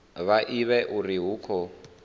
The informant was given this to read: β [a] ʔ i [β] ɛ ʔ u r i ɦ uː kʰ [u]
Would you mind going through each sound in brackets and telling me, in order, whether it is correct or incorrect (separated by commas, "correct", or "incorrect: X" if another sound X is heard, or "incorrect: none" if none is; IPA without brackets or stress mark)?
correct, correct, incorrect: ɔ